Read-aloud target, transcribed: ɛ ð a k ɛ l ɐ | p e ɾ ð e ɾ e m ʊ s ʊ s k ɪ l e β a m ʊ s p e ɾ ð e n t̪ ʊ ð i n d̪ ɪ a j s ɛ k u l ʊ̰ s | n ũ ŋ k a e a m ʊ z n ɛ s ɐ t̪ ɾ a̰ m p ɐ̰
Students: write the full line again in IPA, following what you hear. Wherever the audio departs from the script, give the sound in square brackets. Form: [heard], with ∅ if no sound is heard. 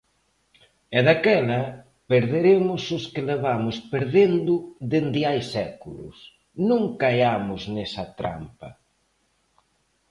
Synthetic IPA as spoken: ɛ ð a k ɛ l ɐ | p e ɾ ð e ɾ e m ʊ s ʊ s k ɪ l e β a m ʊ s p e ɾ ð e n [d̪] ʊ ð [e] n d̪ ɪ a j s ɛ k u l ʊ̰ s | n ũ ŋ k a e a m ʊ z n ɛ s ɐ t̪ ɾ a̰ m p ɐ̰